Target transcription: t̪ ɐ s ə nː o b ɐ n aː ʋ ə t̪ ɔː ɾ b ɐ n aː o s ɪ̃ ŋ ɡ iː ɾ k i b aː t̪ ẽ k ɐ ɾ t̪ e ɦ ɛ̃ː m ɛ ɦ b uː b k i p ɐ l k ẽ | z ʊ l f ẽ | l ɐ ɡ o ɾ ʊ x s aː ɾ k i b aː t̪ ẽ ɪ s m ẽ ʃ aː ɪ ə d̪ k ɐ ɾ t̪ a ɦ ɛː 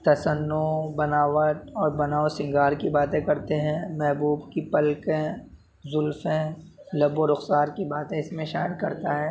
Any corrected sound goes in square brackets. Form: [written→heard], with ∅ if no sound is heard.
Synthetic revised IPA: t̪ ɐ s ə nː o b ɐ n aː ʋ ə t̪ ɔː ɾ b ɐ n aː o s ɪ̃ ŋ ɡ [iː→aː] ɾ k i b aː t̪ ẽ k ɐ ɾ t̪ e ɦ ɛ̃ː m ɛ ɦ b uː b k i p ɐ l k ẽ | z ʊ l f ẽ | l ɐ [ɡ→b] o ɾ ʊ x s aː ɾ k i b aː t̪ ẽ ɪ s m ẽ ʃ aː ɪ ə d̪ k ɐ ɾ t̪ a ɦ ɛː